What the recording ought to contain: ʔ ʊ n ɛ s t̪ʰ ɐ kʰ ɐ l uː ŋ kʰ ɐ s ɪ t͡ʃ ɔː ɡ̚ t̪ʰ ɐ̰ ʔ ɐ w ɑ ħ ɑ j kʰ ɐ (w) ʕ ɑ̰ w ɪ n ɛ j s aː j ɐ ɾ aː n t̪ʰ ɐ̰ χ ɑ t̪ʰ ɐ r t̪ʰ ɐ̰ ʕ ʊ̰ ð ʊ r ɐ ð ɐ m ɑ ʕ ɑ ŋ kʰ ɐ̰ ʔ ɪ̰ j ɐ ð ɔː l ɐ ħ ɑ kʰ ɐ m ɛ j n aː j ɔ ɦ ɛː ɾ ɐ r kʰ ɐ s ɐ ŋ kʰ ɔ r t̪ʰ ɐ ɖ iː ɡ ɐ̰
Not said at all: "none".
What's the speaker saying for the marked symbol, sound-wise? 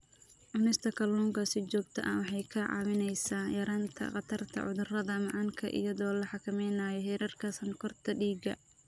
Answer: none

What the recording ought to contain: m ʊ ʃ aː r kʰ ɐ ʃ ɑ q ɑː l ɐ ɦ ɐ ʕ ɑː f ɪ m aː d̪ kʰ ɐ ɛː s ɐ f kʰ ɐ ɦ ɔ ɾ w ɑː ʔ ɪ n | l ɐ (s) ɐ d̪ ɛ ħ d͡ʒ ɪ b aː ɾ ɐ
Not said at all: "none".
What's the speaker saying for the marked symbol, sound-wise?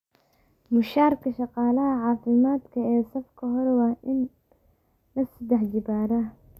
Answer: s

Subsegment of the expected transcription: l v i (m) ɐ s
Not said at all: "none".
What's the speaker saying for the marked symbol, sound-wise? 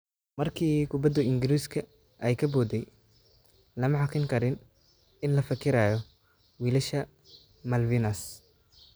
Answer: n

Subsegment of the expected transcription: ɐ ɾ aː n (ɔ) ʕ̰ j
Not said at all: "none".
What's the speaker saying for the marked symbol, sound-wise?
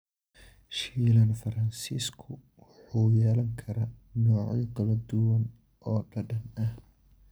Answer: ɔː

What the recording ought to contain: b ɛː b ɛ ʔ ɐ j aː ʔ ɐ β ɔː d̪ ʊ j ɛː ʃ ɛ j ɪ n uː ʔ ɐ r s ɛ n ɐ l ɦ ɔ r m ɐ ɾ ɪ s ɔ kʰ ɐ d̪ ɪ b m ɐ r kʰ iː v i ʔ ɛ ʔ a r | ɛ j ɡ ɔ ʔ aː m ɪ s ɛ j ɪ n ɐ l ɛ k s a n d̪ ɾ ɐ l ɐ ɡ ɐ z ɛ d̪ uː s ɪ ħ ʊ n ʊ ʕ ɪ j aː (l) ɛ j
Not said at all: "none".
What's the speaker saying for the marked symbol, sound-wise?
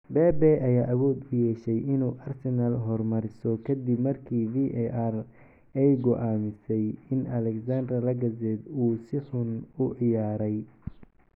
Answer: ɾ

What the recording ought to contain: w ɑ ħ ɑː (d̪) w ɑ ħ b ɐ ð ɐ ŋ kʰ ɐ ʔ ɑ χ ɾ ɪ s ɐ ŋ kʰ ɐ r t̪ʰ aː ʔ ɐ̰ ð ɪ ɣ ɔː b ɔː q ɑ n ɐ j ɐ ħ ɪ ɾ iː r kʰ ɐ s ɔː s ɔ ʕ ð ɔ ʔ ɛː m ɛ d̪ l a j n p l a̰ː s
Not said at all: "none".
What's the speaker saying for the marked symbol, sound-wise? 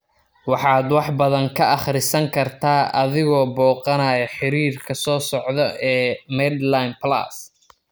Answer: d̪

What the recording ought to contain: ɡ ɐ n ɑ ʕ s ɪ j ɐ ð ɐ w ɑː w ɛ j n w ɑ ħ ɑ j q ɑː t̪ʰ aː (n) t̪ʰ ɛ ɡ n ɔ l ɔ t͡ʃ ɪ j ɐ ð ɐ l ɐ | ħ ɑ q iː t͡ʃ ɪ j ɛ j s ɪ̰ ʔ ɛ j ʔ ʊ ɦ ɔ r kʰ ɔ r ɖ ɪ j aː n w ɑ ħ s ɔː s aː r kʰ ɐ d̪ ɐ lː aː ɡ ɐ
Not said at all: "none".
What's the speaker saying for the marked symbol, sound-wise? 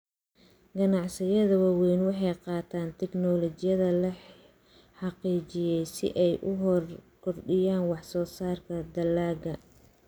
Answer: n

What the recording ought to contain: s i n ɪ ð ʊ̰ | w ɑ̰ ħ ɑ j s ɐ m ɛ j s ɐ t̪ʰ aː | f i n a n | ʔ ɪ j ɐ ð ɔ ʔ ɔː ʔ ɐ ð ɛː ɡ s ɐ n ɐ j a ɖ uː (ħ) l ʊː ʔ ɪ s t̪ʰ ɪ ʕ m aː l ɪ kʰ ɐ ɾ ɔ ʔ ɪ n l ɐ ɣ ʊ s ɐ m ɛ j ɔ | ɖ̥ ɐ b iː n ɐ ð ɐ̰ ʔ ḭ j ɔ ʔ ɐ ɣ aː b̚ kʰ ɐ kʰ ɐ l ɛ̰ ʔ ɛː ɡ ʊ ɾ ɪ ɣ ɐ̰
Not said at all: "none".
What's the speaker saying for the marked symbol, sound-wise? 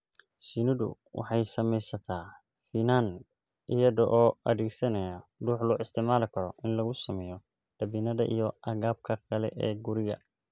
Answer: ħ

